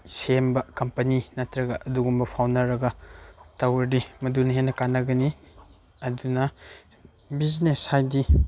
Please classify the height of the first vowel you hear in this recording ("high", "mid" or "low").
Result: mid